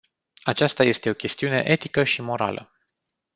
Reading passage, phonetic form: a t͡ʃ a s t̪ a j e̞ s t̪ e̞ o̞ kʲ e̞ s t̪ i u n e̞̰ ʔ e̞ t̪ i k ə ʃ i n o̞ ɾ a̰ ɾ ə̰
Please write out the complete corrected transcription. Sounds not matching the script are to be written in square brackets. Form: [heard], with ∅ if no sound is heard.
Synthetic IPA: a t͡ʃ a s t̪ a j e̞ s t̪ e̞ o̞ kʲ e̞ s t̪ i u n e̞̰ ʔ e̞ t̪ i k ə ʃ i [m] o̞ ɾ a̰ [l] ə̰